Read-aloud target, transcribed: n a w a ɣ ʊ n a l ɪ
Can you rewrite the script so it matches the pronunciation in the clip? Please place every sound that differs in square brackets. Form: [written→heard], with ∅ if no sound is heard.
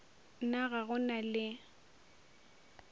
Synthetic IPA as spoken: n a [w→ɣ] a ɣ ʊ n a l ɪ